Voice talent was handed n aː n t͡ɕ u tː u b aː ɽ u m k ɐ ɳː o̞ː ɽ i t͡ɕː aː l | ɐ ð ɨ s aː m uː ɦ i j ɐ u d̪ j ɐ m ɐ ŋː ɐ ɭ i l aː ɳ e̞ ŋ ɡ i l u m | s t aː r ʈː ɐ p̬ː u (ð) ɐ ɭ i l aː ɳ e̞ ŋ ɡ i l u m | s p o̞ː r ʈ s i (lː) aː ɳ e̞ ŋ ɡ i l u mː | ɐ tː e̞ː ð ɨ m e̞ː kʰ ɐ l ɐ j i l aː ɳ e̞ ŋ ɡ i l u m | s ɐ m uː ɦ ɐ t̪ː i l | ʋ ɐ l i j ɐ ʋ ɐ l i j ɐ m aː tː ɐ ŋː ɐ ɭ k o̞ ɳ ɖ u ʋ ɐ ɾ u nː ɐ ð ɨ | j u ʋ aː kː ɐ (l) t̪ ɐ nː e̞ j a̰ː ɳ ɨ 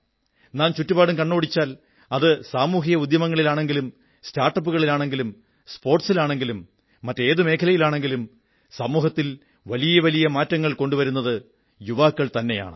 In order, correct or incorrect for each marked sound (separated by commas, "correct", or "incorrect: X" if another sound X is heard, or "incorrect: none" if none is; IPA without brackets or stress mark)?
incorrect: ɣ, incorrect: l, incorrect: ɭ